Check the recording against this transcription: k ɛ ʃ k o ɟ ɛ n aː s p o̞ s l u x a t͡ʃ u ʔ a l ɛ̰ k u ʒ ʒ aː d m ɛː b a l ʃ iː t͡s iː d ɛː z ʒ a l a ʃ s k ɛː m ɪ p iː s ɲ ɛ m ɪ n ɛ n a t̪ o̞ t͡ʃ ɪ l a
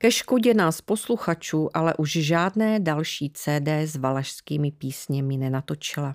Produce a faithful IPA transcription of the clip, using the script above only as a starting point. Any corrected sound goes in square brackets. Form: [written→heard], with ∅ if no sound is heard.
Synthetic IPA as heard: k ɛ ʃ k o ɟ ɛ n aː s p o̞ s l u x a t͡ʃ [u→uː] ʔ a l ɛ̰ [k→ʔ] u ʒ ʒ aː d [m→n] ɛː [b→d] a l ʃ iː t͡s [iː→ɛː] d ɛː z [ʒ→v] a l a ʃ s k [ɛː→iː] m ɪ p iː s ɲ ɛ m ɪ n ɛ n a t̪ o̞ t͡ʃ ɪ l a